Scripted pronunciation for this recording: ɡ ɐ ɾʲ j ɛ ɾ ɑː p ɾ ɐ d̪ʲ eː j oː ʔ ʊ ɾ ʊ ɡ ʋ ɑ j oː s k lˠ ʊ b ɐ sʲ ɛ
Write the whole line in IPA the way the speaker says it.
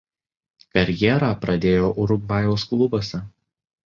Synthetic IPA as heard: k ɐ ɾʲ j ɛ ɾ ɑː p ɾ ɐ d̪ʲ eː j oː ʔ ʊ ɾ ʊ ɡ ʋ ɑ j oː s k lˠ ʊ b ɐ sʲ ɛ

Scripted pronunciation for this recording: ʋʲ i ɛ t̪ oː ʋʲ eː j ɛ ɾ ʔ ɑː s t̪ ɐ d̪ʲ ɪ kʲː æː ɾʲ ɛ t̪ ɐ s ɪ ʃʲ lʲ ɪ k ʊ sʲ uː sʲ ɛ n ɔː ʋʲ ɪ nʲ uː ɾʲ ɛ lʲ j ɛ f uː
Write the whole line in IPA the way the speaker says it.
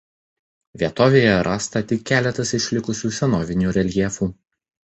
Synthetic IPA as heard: ʋʲ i ɛ t̪ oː ʋʲ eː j ɛ ɾ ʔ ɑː s t̪ ɐ t̪ʲ ɪ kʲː æː lʲ ɛ t̪ ɐ s ɪ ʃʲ lʲ ɪ k ʊ sʲ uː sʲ ɛ n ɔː ʋʲ ɪ nʲ uː ɾʲ ɛ lʲ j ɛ f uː

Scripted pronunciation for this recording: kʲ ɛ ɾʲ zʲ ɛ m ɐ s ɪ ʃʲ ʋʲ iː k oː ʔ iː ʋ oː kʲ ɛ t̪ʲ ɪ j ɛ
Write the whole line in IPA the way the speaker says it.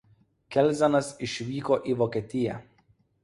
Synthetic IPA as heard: kʲ ɛ lʲ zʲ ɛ n ɐ s ɪ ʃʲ ʋʲ iː k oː ʔ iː ʋ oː kʲ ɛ t̪ʲ ɪ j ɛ

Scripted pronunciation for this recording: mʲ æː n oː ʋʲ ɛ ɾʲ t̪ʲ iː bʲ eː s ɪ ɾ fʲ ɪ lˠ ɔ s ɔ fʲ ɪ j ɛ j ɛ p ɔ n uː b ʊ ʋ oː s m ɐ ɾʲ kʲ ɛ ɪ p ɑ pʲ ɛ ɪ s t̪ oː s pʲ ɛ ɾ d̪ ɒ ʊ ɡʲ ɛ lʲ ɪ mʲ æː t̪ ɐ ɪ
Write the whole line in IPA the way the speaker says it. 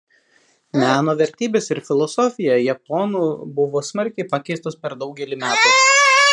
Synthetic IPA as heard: mʲ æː n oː ʋʲ ɛ ɾʲ t̪ʲ iː bʲ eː s ɪ ɾ fʲ ɪ lˠ ɔ s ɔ fʲ ɪ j ɛ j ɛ p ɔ n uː b ʊ ʋ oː s m ɐ ɾʲ kʲ ɛ ɪ p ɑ kʲ ɛ ɪ s t̪ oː s pʲ ɛ ɾ d̪ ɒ ʊ ɡʲ ɛ lʲ ɪ mʲ æː t̪ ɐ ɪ

